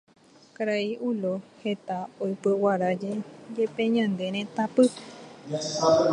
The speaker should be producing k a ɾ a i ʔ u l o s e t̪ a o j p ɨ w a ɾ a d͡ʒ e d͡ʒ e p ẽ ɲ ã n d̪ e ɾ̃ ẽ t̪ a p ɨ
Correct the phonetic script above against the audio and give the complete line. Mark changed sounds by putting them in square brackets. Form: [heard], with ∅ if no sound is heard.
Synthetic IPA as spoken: k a ɾ a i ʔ u l o [h] e t̪ a o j p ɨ w a ɾ a d͡ʒ e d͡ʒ e p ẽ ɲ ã n d̪ e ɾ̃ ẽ t̪ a p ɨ